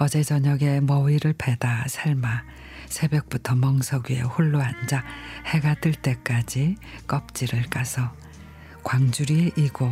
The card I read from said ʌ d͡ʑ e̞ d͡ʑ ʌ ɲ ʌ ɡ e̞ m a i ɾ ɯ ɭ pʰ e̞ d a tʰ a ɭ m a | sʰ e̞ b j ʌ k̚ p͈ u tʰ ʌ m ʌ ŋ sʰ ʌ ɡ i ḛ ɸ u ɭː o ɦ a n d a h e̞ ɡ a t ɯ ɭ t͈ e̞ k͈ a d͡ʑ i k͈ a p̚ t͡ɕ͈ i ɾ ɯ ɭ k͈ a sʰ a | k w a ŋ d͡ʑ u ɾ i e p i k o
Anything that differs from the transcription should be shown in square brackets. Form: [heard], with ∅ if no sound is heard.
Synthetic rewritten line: ʌ d͡ʑ e̞ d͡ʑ ʌ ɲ ʌ ɡ e̞ m [ʌ] i ɾ ɯ ɭ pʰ e̞ d a [sʰ] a ɭ m a | sʰ e̞ b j ʌ k̚ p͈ u tʰ ʌ m ʌ ŋ sʰ ʌ ɡ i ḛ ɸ u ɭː o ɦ a n [d͡ʑ] a h e̞ ɡ a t ɯ ɭ t͈ e̞ k͈ a d͡ʑ i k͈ [ʌ] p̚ t͡ɕ͈ i ɾ ɯ ɭ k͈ a sʰ [ʌ] | k w a ŋ d͡ʑ u ɾ i e [ʔ] i [ɡ] o